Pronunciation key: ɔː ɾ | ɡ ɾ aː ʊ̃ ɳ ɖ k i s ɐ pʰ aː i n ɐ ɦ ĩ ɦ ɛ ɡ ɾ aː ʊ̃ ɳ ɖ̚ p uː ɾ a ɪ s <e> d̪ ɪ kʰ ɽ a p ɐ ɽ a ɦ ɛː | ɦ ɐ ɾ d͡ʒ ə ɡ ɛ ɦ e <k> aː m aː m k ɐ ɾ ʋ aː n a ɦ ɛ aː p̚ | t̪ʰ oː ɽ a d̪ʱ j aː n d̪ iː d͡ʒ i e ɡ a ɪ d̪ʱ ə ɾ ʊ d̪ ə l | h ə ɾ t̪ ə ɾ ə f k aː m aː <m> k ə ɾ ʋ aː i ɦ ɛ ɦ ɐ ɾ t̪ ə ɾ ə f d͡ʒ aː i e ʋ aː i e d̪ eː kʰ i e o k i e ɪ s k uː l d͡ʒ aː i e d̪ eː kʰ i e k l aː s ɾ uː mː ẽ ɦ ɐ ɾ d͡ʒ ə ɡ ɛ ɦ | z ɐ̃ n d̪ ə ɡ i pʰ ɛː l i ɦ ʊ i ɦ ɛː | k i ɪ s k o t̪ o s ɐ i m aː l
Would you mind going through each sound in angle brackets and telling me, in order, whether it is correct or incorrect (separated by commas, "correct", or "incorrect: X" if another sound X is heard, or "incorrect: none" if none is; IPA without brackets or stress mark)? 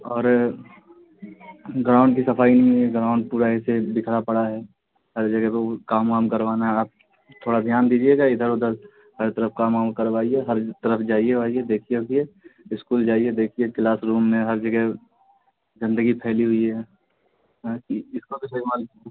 correct, correct, correct